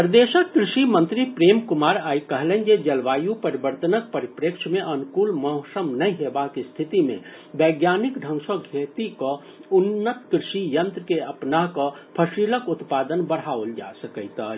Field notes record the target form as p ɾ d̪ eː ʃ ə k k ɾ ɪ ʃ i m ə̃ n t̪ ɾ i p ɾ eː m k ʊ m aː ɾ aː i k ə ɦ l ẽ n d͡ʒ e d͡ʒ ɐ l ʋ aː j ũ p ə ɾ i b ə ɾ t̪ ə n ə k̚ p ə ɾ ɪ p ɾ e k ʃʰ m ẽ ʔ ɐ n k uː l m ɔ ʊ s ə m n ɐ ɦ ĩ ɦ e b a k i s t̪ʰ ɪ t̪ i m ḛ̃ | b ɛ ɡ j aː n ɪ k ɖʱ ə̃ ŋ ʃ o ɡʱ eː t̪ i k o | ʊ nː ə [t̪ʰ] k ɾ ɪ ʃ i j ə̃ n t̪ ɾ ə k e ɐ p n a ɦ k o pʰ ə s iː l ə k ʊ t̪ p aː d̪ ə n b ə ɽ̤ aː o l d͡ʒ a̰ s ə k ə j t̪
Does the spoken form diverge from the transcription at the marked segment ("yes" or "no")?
yes